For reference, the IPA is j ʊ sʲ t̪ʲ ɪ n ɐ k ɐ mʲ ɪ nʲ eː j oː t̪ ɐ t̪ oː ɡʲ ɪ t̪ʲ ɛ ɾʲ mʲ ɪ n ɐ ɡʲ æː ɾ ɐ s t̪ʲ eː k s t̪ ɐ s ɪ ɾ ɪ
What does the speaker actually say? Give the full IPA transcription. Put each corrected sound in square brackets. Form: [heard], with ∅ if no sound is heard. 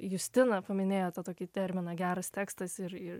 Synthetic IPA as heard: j ʊ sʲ t̪ʲ ɪ n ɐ [p] ɐ mʲ ɪ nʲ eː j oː t̪ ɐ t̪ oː [kʲ] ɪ t̪ʲ ɛ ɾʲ mʲ ɪ n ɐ ɡʲ æː ɾ ɐ s t̪ʲ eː k s t̪ ɐ s ɪ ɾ ɪ